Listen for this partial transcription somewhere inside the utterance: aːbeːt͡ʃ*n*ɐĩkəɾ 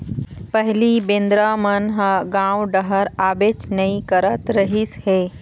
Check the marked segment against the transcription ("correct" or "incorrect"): correct